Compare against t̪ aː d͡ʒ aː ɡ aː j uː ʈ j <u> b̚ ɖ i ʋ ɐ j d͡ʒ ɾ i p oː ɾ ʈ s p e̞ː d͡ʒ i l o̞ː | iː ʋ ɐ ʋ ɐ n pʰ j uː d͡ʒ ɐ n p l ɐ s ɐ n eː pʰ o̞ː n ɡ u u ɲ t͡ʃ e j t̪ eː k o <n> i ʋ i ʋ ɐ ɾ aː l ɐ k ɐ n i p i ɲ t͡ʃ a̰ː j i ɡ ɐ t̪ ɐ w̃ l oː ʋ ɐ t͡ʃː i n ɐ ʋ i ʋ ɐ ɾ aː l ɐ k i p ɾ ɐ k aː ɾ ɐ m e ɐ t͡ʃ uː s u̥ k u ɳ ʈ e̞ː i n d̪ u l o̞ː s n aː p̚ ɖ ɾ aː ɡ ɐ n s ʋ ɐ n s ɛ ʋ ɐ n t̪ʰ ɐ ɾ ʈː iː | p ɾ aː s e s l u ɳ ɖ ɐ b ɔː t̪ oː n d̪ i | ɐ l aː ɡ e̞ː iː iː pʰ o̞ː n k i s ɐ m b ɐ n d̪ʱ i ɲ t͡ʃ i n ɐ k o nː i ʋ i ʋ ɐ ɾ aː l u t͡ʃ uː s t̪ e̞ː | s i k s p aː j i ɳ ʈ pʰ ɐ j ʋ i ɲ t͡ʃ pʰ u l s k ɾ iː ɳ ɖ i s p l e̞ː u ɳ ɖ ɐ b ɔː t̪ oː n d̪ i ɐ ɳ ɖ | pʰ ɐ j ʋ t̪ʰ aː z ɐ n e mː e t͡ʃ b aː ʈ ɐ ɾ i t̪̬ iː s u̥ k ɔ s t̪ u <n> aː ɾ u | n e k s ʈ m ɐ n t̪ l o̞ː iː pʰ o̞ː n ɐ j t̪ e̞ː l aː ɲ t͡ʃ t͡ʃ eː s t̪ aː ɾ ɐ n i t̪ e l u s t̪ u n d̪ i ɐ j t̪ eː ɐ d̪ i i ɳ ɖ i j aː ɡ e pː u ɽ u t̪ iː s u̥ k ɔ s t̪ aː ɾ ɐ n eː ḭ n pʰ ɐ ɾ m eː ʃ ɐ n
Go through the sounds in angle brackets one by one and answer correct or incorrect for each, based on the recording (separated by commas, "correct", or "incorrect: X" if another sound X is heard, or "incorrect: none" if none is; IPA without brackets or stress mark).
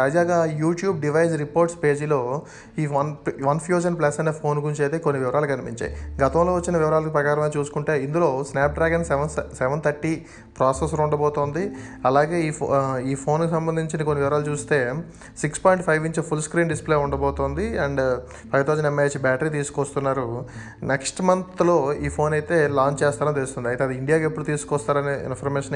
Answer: incorrect: uː, incorrect: nː, incorrect: nː